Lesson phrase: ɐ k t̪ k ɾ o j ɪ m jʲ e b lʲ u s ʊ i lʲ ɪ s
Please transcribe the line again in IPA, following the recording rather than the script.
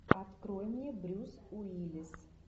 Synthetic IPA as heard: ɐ t̪ k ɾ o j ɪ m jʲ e b ɾʲ u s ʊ i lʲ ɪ s